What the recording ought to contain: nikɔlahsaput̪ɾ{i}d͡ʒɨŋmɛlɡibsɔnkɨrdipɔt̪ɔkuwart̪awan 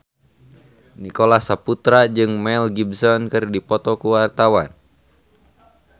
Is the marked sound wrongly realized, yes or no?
yes